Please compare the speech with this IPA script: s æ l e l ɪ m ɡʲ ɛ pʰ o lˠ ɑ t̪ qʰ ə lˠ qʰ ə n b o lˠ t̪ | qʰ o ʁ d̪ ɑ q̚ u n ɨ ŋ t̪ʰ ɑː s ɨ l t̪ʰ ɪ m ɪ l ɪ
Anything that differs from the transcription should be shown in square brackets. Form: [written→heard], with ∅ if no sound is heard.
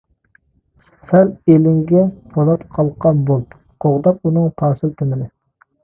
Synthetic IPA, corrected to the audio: s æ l e l ɪ [m→ŋ] ɡʲ ɛ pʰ o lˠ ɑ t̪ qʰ [ə→ɑ] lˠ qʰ [ə→ɑ] n b o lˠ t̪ | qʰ o ʁ d̪ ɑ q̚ u n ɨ ŋ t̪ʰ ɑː s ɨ l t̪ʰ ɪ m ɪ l ɪ